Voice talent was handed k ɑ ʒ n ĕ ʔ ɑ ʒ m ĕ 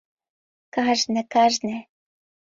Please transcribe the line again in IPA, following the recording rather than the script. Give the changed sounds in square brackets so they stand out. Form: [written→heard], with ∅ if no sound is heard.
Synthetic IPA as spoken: k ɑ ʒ n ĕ [ʔ→k] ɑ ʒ [m→n] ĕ

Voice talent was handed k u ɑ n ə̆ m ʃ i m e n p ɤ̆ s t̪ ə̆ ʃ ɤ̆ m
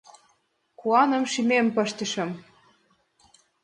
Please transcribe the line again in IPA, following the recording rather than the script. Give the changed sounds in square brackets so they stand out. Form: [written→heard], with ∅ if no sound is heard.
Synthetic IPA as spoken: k u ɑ n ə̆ m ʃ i m e [n→m] p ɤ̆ [s→ʃ] t̪ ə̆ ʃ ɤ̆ m

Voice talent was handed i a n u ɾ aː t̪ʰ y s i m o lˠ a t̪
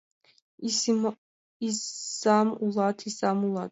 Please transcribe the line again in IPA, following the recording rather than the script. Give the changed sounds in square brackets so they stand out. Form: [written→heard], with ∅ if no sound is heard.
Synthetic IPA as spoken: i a [n→m] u [ɾ→l] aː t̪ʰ [y→i] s [i→a] m [o→u] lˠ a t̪

